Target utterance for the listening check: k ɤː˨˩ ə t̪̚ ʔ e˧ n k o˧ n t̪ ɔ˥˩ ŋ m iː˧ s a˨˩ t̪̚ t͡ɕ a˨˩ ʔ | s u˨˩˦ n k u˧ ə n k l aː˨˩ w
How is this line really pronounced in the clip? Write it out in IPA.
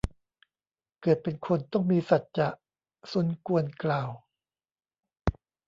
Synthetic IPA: k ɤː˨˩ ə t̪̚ p e˧ n kʰ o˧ n t̪ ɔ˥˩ ŋ m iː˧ s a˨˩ t̪̚ t͡ɕ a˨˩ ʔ | s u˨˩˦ n k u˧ ə n k l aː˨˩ w